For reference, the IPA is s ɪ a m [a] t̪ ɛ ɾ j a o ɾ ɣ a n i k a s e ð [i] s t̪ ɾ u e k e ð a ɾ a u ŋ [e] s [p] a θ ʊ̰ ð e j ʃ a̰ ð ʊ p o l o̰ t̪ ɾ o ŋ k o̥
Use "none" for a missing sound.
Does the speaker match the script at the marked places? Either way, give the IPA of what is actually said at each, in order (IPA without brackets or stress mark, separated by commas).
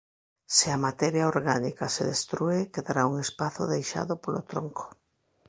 a, e, e, p